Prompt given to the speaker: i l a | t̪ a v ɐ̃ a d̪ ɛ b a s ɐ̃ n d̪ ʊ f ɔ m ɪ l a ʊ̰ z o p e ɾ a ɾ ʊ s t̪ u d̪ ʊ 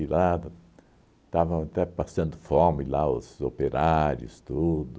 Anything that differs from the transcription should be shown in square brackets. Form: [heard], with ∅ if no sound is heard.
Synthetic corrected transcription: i l a | t̪ a v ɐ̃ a [t̪] ɛ [p] a s ɐ̃ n d̪ ʊ f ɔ m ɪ l a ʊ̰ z o p e ɾ a ɾ ʊ s t̪ u d̪ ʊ